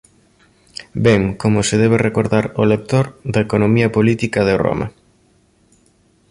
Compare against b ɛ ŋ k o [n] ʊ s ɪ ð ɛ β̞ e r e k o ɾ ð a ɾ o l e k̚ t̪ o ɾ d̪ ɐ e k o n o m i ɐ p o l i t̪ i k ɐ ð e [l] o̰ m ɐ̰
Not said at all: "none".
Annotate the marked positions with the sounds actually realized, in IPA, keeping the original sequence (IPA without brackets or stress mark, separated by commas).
m, r